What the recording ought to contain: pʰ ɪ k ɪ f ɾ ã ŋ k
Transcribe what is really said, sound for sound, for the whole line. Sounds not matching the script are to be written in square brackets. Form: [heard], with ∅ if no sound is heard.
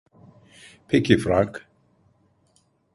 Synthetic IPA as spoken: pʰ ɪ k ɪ f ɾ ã ŋ k